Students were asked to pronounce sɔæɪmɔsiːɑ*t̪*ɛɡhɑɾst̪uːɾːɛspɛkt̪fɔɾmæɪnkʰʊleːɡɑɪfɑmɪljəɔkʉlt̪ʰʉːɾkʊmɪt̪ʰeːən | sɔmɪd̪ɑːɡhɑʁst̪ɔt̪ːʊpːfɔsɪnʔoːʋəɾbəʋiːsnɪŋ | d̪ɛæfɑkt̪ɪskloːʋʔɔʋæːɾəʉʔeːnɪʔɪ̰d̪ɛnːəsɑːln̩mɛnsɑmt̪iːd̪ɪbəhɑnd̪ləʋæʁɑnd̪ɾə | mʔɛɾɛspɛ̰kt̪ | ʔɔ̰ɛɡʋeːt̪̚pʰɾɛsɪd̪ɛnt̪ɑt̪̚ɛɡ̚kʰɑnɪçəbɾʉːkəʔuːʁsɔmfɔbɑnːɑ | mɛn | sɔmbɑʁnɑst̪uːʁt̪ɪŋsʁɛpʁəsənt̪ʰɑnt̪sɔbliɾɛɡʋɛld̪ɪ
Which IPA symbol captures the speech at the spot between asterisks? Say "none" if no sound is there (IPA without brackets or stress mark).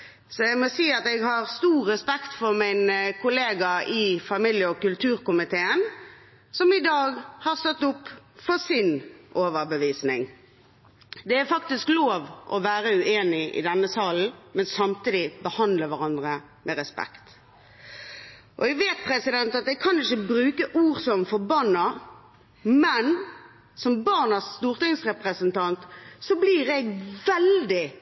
t̪